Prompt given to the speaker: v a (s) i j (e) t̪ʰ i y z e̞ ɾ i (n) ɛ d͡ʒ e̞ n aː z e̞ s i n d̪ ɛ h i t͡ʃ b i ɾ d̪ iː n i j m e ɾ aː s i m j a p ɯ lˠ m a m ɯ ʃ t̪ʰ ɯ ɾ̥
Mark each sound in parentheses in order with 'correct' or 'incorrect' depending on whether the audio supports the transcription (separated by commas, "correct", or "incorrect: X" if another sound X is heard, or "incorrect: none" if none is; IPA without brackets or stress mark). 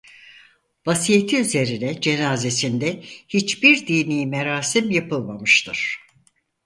correct, correct, correct